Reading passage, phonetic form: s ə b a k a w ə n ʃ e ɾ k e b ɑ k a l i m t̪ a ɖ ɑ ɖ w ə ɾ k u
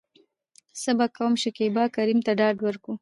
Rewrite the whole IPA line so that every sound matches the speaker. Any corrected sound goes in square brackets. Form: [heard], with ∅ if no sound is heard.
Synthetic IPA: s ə b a k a w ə [m] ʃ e [∅] k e b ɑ k a [ɾ] i m t̪ a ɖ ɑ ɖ w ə ɾ k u